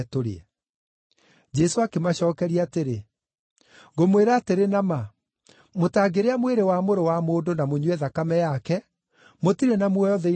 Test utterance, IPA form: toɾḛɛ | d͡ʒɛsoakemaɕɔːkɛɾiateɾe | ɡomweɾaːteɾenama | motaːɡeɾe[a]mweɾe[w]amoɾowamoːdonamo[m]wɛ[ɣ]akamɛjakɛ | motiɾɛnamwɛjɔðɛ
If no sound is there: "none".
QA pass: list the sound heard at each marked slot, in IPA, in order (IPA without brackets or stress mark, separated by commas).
a, w, ɲ, ð